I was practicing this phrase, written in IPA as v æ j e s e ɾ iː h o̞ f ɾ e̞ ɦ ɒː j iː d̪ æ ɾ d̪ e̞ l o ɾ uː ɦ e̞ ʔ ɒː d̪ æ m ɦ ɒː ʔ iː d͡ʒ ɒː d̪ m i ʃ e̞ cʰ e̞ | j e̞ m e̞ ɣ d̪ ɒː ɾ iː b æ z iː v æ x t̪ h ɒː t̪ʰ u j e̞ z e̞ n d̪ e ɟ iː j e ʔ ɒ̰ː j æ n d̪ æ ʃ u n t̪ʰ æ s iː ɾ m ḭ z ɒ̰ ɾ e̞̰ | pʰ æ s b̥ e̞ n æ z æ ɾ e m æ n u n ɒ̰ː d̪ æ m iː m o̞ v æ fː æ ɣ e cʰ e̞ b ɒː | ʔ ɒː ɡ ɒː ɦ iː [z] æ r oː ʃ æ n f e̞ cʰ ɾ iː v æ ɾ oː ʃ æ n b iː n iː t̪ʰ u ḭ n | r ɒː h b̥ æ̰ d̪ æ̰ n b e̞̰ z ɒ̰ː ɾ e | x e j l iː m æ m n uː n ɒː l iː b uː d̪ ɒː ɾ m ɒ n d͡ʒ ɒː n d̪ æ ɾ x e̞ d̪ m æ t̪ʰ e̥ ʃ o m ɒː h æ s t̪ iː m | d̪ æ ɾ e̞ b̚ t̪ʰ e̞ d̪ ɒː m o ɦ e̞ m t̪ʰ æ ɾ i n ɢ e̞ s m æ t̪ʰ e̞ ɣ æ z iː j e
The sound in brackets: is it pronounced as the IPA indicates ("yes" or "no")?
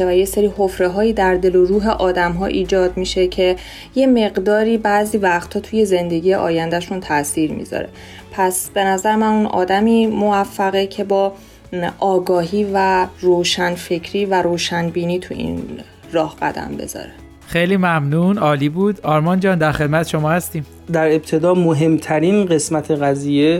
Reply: no